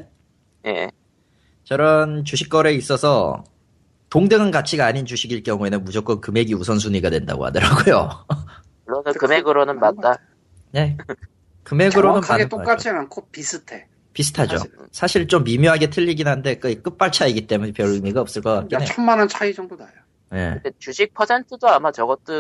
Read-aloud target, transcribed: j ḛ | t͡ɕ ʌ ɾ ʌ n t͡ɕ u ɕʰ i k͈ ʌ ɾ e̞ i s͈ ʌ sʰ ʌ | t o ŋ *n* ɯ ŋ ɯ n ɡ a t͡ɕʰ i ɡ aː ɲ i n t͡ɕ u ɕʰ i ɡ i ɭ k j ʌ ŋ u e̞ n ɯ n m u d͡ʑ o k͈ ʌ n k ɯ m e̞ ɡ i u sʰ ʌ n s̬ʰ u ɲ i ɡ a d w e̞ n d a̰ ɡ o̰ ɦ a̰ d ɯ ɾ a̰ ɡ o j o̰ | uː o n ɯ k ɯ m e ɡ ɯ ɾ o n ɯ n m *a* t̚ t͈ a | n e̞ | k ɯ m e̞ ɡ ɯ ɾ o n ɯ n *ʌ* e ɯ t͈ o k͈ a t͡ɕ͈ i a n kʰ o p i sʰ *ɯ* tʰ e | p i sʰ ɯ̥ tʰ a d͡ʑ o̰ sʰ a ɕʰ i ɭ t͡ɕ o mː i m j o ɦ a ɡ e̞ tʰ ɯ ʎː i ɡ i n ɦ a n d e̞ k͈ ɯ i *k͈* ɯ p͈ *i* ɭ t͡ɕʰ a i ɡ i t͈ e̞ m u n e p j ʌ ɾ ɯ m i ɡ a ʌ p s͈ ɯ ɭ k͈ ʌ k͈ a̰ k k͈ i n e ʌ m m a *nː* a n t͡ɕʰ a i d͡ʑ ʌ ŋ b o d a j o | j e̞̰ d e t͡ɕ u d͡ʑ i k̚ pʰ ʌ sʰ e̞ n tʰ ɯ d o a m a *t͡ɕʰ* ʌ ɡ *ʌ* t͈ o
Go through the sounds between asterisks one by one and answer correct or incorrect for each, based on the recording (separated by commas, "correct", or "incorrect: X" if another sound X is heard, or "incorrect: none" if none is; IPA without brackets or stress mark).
incorrect: d, correct, incorrect: a, correct, correct, incorrect: a, incorrect: n, incorrect: t͡ɕ, correct